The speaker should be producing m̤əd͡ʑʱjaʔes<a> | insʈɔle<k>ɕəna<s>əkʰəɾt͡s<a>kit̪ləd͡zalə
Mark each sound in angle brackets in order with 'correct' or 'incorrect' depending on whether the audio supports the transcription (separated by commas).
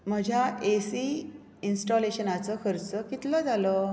incorrect, incorrect, incorrect, incorrect